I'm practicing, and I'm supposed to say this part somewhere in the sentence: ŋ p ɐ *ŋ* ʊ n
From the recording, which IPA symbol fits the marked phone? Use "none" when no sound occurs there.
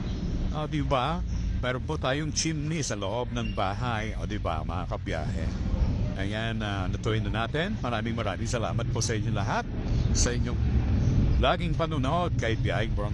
n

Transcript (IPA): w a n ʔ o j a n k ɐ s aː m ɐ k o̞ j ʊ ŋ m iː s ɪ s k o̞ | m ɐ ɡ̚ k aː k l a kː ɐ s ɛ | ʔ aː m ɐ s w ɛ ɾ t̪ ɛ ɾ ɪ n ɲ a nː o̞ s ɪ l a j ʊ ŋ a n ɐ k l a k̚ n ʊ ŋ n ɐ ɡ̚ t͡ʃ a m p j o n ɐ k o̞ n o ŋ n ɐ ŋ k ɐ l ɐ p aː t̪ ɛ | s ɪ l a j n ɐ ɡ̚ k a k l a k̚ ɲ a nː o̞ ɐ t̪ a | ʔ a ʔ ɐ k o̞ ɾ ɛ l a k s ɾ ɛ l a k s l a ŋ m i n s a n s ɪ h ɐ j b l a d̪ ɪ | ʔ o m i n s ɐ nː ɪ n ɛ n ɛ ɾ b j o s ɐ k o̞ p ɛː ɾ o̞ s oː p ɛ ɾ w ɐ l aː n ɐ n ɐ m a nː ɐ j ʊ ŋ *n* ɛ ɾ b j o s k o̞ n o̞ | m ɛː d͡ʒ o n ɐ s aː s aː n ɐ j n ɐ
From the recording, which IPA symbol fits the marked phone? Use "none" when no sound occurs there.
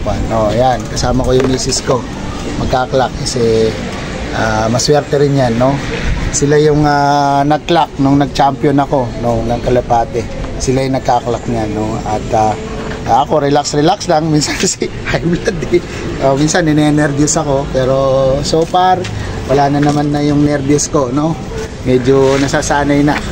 n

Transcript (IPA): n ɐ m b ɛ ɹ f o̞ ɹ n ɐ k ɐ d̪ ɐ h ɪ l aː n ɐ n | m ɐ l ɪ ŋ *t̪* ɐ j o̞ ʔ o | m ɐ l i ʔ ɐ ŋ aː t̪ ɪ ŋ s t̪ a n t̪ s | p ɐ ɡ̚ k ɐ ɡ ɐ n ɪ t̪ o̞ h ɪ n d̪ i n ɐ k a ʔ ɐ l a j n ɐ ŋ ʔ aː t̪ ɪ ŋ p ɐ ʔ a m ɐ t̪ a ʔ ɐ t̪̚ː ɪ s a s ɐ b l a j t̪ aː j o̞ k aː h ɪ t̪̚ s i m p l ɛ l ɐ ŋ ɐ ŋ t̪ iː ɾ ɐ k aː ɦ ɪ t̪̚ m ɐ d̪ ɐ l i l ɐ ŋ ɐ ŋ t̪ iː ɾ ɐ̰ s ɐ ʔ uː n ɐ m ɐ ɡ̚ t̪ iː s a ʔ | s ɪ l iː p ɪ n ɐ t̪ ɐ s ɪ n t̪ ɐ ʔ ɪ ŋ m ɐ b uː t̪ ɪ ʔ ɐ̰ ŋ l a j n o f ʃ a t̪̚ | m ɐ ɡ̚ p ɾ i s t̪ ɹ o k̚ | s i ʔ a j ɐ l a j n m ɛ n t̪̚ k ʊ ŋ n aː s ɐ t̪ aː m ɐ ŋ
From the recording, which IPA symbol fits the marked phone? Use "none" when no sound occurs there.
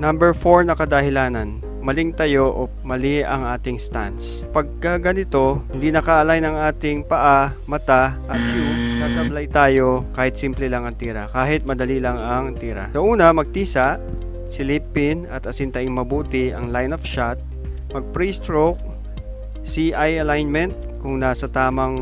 t̪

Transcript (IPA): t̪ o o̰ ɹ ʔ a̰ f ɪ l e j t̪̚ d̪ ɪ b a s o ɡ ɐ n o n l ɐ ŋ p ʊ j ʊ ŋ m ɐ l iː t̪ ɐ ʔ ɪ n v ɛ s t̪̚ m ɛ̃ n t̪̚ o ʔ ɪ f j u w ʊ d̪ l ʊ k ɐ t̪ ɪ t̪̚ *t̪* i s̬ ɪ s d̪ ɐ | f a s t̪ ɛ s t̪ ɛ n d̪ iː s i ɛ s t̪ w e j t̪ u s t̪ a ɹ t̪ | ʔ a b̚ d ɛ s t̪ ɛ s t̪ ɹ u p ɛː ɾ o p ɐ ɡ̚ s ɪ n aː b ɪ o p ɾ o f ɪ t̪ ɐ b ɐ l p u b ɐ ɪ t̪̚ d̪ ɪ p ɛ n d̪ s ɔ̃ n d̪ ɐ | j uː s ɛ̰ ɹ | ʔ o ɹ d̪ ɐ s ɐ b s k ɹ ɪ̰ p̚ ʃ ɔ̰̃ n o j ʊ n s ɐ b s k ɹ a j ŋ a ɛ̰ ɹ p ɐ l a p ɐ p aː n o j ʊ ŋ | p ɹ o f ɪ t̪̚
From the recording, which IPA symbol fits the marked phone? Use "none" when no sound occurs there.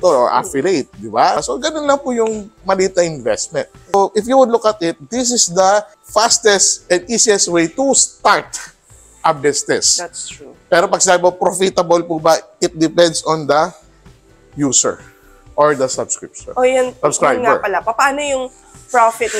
d̪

